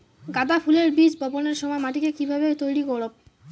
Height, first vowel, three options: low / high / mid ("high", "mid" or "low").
low